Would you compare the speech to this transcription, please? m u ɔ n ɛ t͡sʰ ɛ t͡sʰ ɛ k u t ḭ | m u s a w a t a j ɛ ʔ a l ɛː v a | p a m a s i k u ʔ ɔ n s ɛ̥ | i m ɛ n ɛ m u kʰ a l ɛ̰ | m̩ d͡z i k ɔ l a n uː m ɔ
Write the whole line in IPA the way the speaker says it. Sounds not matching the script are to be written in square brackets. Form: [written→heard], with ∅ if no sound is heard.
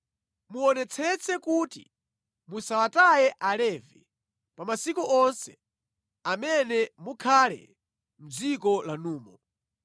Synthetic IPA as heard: m u ɔ n ɛ t͡sʰ ɛ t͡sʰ ɛ k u t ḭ | m u s a w a t a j ɛ ʔ a l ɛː v [a→ɛ] | p a m a s i k u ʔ ɔ n s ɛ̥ | [i→a] m ɛ n ɛ m u kʰ a l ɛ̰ | m̩ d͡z i k ɔ l a n uː m ɔ